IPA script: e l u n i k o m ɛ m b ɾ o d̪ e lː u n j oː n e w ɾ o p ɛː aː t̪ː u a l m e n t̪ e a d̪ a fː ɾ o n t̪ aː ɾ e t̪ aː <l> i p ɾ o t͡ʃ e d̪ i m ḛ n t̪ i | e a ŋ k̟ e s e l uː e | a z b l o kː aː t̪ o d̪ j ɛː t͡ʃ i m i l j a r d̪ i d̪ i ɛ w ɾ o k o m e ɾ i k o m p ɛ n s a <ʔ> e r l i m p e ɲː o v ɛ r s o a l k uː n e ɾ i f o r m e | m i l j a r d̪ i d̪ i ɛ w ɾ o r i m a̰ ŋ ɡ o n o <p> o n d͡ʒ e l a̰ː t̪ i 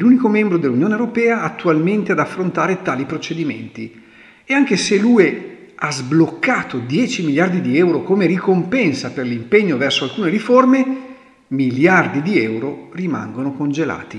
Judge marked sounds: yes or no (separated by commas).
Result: yes, no, no